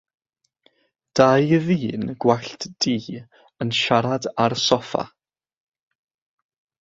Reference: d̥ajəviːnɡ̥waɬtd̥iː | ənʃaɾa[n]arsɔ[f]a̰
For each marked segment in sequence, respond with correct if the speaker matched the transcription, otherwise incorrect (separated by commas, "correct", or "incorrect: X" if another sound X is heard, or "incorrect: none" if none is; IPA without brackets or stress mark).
incorrect: d, correct